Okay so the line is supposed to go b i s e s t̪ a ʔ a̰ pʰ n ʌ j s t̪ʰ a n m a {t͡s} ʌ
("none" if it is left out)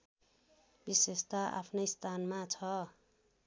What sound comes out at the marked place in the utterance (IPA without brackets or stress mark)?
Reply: t͡sʰ